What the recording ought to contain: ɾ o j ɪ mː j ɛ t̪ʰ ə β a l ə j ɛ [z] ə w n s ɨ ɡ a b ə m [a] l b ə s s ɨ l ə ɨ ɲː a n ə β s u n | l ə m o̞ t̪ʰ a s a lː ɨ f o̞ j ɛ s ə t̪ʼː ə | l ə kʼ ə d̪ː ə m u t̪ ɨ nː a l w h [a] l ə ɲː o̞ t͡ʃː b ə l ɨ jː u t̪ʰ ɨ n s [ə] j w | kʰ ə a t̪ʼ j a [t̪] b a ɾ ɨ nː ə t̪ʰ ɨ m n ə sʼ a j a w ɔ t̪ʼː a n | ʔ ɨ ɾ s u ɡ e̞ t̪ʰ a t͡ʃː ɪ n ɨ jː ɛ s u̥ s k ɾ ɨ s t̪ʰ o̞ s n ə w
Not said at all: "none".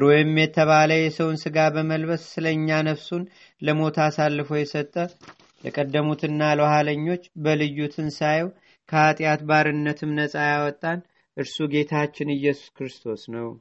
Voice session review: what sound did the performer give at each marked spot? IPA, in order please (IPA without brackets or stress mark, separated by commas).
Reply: s, ə, a, a, t̪